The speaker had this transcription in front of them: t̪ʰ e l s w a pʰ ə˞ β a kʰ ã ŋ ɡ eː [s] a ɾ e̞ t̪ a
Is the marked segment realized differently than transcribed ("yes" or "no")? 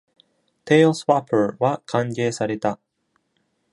no